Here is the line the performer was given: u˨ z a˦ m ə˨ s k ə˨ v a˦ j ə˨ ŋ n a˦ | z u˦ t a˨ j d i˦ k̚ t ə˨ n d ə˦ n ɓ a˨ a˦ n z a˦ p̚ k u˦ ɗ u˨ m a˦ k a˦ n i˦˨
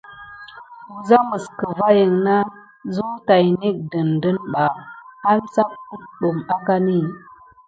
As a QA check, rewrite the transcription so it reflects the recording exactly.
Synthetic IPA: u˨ z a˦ m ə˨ s k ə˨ v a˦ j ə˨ ŋ n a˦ | z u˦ t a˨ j n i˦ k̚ d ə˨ n d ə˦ n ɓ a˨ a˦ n s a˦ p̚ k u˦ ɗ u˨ m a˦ k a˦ n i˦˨